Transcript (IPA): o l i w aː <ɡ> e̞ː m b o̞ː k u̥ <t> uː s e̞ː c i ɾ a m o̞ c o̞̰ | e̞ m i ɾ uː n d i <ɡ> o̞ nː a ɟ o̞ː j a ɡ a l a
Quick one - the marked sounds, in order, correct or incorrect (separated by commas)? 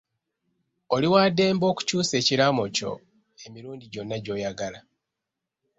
incorrect, incorrect, incorrect